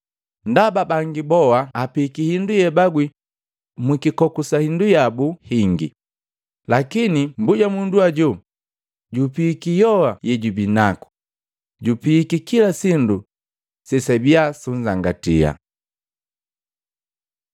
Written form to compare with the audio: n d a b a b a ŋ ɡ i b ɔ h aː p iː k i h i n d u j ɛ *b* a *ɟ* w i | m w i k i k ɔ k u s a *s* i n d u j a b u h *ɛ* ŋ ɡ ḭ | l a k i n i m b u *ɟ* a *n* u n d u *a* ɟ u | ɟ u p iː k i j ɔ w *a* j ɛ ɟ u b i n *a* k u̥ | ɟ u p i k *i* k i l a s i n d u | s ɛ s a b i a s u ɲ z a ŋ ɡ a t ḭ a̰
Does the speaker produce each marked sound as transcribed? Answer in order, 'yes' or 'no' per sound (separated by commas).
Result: yes, no, no, no, yes, no, yes, yes, yes, yes